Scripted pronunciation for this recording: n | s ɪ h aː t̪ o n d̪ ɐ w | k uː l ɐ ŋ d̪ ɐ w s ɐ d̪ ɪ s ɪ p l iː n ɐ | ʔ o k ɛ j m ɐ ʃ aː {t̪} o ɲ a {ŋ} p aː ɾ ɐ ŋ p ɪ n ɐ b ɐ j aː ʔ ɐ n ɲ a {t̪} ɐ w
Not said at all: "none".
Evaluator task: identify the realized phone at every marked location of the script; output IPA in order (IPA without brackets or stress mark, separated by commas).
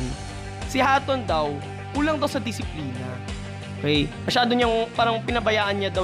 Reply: d̪, ŋ, d̪